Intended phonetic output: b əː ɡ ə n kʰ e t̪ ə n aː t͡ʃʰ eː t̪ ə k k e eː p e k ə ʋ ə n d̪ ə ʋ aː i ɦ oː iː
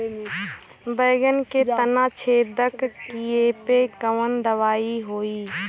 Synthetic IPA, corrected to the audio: b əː ɡ ə n k e t̪ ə n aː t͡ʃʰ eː d̪ ə k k i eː p e k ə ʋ ə n d̪ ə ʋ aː i ɦ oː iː